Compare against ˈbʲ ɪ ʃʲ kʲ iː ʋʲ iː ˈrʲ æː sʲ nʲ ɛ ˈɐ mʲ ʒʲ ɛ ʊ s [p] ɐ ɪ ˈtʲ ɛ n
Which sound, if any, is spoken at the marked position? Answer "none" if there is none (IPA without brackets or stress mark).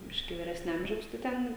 t